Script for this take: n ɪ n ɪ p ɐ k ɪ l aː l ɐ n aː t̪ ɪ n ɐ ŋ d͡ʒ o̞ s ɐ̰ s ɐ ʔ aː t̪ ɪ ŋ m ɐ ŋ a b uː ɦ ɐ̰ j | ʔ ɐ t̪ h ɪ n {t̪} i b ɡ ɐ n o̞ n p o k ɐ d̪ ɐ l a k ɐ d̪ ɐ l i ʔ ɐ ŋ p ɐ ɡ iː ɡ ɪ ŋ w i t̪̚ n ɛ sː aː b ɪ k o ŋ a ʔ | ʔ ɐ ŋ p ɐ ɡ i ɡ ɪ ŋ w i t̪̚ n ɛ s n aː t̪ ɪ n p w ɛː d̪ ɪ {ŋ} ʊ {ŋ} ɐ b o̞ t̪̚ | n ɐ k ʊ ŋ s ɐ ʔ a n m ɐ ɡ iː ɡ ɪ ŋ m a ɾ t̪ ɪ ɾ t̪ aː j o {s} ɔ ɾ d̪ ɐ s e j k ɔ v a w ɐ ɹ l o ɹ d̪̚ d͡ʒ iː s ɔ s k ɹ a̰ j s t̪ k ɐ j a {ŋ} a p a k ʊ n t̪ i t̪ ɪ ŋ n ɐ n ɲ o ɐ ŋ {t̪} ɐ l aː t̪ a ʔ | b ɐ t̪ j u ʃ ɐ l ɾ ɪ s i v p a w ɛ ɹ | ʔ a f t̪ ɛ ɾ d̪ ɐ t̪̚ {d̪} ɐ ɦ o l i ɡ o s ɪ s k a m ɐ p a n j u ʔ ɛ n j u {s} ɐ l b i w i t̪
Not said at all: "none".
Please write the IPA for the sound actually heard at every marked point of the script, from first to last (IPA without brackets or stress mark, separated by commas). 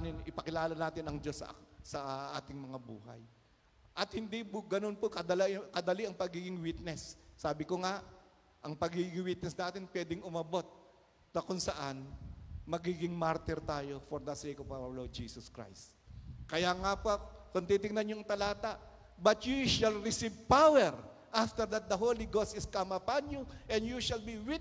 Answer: d̪, ŋ, m, f, ŋ, t̪, d̪, ʃ